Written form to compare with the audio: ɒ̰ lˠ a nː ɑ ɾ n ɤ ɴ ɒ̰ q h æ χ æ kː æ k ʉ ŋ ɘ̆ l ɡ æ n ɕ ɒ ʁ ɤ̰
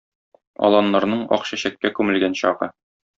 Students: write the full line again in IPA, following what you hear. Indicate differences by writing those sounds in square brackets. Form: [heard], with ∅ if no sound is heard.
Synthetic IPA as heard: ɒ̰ lˠ [ɑ] nː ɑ ɾ n ɤ ɴ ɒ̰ q [ɕ] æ [ɕ] æ kː æ k ʉ [m] ɘ̆ l ɡ æ n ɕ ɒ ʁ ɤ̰